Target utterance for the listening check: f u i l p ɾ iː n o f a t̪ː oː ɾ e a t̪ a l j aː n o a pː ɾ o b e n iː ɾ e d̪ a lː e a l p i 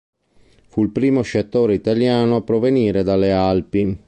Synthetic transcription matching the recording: f u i l p ɾ iː m o ʃ a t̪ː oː ɾ e i t̪ a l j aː n o a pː ɾ o v e n iː ɾ e d̪ a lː e a l p i